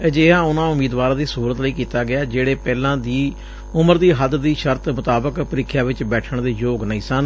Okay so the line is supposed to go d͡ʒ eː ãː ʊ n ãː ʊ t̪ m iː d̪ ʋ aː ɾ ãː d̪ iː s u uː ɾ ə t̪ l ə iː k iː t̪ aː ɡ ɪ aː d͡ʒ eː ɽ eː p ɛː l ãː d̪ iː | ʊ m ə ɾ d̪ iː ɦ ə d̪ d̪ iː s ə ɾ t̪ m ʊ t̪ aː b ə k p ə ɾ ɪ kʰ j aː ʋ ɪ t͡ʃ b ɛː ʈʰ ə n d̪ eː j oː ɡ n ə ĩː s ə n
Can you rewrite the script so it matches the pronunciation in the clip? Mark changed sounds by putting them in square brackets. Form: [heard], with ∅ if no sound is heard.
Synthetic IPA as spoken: d͡ʒ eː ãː ʊ n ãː ʊ [∅] m iː d̪ ʋ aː ɾ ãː d̪ iː s u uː ɾ ə t̪ l ə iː k iː t̪ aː ɡ ɪ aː d͡ʒ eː ɽ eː p ɛː l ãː d̪ iː | ʊ m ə ɾ d̪ iː ɦ ə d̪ d̪ iː [ʃ] ə ɾ t̪ m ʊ t̪ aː b ə k p ə ɾ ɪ kʰ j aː ʋ ɪ t͡ʃ b ɛː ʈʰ ə [ɳ] d̪ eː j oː ɡ n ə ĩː s ə n